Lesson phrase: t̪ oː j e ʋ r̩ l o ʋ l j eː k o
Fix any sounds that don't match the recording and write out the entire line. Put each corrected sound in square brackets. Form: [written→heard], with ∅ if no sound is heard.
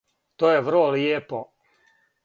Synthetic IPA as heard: t̪ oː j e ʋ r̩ l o [ʋ→∅] l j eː [k→p] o